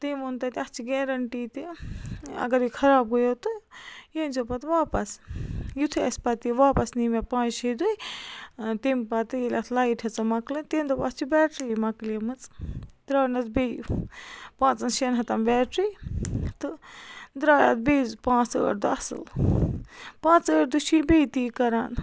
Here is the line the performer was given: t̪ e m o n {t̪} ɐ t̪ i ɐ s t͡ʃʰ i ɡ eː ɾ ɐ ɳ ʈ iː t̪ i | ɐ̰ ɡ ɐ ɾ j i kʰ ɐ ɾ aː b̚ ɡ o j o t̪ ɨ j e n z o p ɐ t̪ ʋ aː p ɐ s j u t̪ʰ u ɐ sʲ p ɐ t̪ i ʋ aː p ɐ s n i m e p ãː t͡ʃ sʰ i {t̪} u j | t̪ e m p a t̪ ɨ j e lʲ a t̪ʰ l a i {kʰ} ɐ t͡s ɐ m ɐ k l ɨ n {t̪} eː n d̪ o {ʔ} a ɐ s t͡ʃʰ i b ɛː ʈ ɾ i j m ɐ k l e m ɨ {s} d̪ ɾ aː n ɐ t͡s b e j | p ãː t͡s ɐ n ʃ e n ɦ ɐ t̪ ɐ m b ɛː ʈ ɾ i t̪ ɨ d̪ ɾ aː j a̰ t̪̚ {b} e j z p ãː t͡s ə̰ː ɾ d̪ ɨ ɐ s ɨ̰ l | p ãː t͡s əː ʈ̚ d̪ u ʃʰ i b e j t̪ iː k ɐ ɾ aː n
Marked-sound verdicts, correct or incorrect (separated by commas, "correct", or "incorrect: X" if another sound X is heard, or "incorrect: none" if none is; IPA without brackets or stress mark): correct, incorrect: d̪, incorrect: ʈʰ, correct, incorrect: p, incorrect: t͡s, correct